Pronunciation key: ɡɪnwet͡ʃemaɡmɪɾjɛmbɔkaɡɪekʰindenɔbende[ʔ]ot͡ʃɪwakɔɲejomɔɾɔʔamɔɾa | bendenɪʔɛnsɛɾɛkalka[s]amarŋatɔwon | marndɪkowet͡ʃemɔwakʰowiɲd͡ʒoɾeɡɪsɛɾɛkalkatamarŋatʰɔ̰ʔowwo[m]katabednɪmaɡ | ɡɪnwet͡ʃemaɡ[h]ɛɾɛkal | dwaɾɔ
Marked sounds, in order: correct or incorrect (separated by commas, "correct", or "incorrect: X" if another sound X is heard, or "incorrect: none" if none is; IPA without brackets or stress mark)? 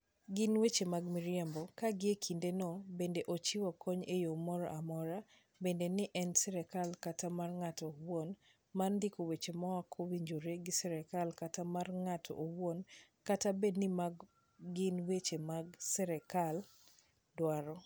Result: correct, incorrect: t, incorrect: n, incorrect: s